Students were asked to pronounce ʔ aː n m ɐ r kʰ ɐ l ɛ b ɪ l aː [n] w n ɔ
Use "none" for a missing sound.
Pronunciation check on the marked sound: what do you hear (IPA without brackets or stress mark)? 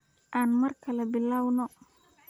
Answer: none